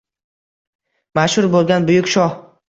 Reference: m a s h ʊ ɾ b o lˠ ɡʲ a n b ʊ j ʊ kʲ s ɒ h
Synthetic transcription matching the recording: m a ʃ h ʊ ɾ b o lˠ ɡʲ a n b ʊ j ʊ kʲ ʃ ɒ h

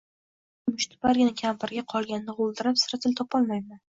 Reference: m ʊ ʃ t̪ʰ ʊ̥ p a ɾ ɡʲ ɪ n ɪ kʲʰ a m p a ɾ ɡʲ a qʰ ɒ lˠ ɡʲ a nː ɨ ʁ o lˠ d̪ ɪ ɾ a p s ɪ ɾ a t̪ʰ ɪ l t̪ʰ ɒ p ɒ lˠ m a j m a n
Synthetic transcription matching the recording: m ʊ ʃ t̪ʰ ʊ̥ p a ɾ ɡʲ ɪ n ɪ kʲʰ a m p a ɾ ɡʲ a qʰ ɒ lˠ ɡʲ a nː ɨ ʁ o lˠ d̪ ɪ ɾ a p s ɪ ɾ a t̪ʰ ɪ l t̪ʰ ɒ p ɒ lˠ m a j m a n

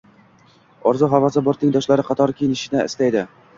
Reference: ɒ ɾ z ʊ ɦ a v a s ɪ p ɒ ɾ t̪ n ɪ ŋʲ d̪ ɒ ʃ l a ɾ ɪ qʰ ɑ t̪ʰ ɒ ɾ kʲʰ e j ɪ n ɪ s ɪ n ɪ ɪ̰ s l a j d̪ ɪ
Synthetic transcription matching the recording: ɒ ɾ z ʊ ɦ a v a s ɪ b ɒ ɾ t̪ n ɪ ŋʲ d̪ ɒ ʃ l a ɾ ɪ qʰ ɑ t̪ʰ ɒ ɾ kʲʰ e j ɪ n ɪ ʃ ɪ n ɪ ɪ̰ s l a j d̪ ɪ

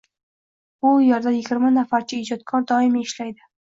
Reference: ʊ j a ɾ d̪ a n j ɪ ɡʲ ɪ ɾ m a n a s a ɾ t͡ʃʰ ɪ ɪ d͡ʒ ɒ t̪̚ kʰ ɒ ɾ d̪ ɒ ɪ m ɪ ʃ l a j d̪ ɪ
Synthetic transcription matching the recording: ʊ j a ɾ d̪ a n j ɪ ɡʲ ɪ ɾ m a n a f a ɾ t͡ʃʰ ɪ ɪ d͡ʒ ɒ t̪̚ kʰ ɒ ɾ d̪ ɒ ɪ m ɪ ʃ l a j d̪ ɪ

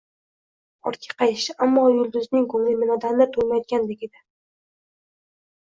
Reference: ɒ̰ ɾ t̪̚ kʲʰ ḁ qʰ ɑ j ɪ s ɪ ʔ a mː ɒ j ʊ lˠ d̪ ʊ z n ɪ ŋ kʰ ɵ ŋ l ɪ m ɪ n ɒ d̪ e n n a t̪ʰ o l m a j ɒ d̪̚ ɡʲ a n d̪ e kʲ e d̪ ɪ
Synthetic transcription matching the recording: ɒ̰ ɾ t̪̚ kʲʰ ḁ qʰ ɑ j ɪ ʃ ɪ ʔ a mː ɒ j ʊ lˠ d̪ ʊ z n ɪ ŋ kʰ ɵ ŋ l ɪ m ɪ n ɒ d̪ a n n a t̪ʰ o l m a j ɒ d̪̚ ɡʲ a n d̪ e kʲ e d̪ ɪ

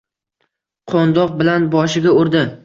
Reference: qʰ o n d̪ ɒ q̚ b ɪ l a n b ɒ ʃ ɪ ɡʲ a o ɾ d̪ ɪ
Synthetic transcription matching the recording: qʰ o n d̪ ɒ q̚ b ɪ l a n b ɒ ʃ ɪ ɡʲ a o ɾ d̪ ɪ

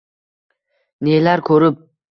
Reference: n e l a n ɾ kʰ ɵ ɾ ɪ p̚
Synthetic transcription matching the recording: n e l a ɾ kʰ ɵ ɾ ɪ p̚

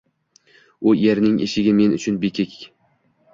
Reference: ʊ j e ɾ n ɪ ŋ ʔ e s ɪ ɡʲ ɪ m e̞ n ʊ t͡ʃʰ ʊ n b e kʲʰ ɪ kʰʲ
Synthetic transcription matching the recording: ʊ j e ɾ n ɪ ŋ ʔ e ʃ ɪ ɡʲ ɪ m e̞ n ʊ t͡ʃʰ ʊ n b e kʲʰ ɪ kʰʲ

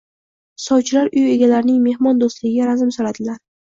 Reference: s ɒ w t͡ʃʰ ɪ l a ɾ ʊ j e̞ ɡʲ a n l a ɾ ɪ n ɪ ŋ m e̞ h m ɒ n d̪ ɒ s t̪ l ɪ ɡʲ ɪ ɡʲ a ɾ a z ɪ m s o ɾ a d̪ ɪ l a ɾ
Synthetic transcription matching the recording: s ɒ w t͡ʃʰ ɪ l a ɾ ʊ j e̞ ɡʲ a l a ɾ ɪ n ɪ ŋ m e̞ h m ɒ n d̪ o s t̪ l ɪ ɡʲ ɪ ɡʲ a ɾ a z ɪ m s o ɾ a d̪ ɪ l a ɾ

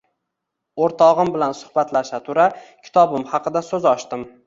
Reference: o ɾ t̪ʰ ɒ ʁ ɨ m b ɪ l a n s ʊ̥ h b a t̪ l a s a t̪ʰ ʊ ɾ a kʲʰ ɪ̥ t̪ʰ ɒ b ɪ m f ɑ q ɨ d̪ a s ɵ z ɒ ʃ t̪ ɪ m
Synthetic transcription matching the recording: o ɾ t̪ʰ ɒ ʁ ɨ m b ɪ l a n s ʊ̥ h b a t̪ l a ʃ a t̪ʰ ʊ ɾ a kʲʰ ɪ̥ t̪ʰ ɒ b ɪ m h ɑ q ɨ d̪ a s ɵ z ɒ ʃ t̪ ɪ m

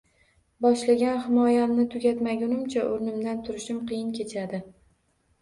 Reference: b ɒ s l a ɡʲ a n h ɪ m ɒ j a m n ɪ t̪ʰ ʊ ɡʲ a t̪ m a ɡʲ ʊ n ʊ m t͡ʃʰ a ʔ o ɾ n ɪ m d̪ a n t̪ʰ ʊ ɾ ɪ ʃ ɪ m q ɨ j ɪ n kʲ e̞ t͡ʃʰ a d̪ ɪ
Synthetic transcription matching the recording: b ɒ ʃ l a ɡʲ a n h ɪ m ɒ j a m n ɪ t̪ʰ ʊ ɡʲ a t̪ m a ɡʲ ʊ n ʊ m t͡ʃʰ a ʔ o ɾ n ɪ m d̪ a n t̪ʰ ʊ ɾ ɪ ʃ ɪ m q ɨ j ɪ n kʲ e̞ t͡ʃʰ a d̪ ɪ

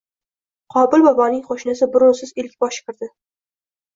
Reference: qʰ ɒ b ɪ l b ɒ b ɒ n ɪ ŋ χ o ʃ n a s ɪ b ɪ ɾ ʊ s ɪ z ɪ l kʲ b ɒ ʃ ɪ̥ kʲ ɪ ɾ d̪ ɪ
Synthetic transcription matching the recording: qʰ ɒ b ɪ l b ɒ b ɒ n ɪ ŋ χ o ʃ n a s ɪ b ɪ ɾ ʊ s ɪ z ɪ l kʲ b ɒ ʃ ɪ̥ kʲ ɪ ɾ d̪ ɪ

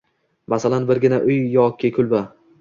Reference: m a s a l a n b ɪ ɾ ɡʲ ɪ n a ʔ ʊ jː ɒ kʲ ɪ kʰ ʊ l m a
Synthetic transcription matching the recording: m a s a l a n b ɪ ɾ ɡʲ ɪ n a ʔ ʊ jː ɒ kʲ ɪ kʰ ʊ l b a

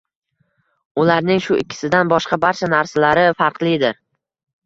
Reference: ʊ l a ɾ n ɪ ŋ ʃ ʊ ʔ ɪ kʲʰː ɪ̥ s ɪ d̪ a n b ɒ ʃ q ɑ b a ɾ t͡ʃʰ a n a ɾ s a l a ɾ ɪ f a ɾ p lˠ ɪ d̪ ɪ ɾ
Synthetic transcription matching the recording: ʊ l a ɾ n ɪ ŋ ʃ ʊ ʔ ɪ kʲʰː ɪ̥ s ɪ d̪ a n b ɒ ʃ q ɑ b a ɾ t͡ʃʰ a n a ɾ s a l a ɾ ɪ f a ɾ q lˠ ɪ d̪ ɪ ɾ

